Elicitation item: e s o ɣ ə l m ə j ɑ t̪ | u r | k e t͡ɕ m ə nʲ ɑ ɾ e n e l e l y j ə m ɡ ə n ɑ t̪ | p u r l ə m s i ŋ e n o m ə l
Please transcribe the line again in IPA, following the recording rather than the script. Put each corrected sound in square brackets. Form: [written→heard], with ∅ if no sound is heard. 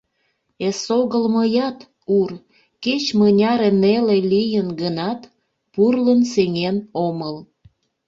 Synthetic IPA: e s o ɣ ə l m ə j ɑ t̪ | u r | k e t͡ɕ m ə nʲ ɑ ɾ e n e l e l [y→i] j ə [m→n] ɡ ə n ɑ t̪ | p u r l ə [m→n] s [i→e] ŋ e n o m ə l